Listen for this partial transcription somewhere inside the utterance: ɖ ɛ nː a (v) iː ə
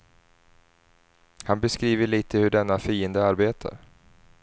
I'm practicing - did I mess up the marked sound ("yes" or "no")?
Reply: yes